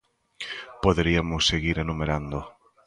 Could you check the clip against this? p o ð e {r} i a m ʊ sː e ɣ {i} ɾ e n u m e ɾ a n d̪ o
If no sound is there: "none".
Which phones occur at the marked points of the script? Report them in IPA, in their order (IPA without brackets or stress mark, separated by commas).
ɾ, i